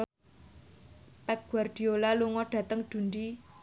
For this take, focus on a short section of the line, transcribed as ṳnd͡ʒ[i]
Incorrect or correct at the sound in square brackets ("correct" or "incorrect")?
correct